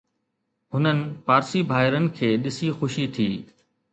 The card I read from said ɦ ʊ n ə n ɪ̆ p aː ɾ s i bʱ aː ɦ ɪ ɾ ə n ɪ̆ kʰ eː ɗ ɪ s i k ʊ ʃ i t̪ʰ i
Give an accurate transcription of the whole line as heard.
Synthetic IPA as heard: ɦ ʊ n ə n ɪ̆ p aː ɾ s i bʱ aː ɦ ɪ ɾ ə n ɪ̆ kʰ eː ɗ ɪ s i x ʊ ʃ i t̪ʰ iː